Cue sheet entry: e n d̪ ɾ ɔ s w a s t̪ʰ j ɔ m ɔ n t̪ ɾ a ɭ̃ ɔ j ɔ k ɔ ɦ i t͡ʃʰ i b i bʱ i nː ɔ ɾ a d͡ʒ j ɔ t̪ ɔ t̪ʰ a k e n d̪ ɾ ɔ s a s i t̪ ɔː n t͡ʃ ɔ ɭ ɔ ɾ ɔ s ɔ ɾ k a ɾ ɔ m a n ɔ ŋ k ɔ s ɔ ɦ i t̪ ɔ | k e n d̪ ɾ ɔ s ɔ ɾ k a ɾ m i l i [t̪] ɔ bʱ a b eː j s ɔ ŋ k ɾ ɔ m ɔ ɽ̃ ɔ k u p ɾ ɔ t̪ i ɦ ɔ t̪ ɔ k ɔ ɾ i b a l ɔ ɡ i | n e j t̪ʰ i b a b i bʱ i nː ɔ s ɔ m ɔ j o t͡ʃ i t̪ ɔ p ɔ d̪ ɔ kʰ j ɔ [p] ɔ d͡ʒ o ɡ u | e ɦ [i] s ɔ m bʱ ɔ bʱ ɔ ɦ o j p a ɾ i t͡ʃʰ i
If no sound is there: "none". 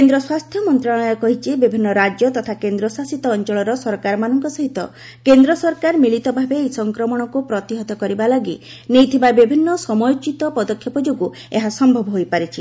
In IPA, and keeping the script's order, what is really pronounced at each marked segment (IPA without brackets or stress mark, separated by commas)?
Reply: t̪, p, a